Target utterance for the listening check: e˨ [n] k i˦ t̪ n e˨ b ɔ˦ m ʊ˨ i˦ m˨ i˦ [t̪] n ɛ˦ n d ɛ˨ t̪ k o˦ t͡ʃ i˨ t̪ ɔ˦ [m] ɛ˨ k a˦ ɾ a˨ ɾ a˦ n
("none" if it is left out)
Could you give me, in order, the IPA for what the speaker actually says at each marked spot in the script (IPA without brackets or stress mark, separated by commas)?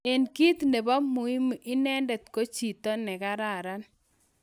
n, none, n